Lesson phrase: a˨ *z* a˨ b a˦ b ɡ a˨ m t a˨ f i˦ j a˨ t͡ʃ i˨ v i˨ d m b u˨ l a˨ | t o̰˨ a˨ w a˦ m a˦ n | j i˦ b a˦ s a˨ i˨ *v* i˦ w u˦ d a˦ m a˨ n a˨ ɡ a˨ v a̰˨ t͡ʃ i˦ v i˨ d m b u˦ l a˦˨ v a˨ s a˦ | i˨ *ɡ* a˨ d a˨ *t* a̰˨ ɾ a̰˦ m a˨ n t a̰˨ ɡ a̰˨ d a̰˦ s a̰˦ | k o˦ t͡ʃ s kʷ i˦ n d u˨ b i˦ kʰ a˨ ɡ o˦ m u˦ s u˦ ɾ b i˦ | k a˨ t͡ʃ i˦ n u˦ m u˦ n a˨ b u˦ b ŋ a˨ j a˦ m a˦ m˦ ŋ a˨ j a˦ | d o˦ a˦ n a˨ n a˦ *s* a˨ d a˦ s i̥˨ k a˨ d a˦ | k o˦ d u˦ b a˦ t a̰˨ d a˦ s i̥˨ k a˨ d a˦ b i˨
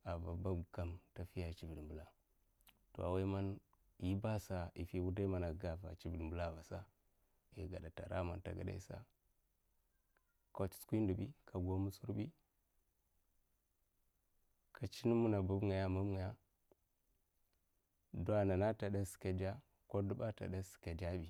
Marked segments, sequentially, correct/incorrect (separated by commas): incorrect, incorrect, correct, correct, incorrect